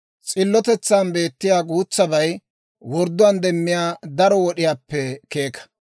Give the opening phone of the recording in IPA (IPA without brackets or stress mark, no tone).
t͡sʼ